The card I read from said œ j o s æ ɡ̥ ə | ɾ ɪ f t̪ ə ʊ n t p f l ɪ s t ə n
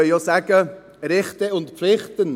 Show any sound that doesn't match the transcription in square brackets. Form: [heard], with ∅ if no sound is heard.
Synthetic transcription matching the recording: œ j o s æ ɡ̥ ə | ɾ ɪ [χ] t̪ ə ʊ n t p f l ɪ [χ] t ə n